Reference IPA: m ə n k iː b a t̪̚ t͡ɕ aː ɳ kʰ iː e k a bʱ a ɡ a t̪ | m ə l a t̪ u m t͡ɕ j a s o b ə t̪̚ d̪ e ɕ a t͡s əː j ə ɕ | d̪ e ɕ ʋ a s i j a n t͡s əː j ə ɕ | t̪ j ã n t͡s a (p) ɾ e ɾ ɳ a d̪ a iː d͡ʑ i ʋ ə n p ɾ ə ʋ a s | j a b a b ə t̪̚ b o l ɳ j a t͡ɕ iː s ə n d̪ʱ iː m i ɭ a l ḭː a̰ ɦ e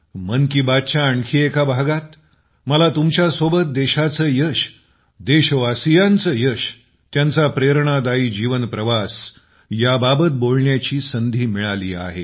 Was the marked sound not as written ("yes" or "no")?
no